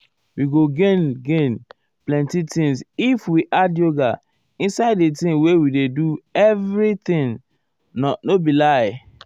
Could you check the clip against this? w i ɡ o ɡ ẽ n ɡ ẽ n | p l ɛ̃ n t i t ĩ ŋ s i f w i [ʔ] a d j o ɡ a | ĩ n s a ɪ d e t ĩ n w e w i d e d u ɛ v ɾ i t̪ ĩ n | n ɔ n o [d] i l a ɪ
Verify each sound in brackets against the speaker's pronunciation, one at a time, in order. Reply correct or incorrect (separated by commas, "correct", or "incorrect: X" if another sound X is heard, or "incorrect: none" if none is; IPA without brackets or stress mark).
correct, incorrect: b